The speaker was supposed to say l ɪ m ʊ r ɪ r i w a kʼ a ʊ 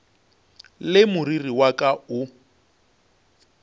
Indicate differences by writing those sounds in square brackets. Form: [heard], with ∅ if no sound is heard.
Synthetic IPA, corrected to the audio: l ɪ m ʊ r [i] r i w a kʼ a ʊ